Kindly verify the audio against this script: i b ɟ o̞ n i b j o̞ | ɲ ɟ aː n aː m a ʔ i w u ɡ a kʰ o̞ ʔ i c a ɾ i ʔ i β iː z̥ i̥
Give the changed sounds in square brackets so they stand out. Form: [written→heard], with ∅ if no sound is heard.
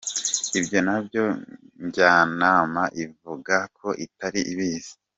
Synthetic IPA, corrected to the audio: i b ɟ o̞ n [i→a] b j o̞ | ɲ ɟ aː n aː m a ʔ i [w→v] u ɡ a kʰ o̞ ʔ i [c→t] a ɾ i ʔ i β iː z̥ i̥